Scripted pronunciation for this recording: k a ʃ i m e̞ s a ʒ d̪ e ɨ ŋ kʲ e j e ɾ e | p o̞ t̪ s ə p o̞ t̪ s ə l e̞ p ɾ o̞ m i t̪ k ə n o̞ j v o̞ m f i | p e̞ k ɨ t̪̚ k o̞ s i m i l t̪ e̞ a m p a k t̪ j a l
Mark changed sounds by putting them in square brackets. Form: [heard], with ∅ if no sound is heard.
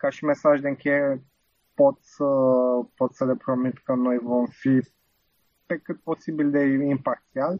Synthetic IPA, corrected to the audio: k a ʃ i m e̞ s a ʒ d̪ e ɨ ŋ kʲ e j e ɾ e | p o̞ t̪ s ə p o̞ t̪ s ə l e̞ p ɾ o̞ m i t̪ k ə n o̞ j v o̞ m f i | p e̞ k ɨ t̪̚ [p] o̞ s i [b] i l [d̪] e̞ [i] m p a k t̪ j a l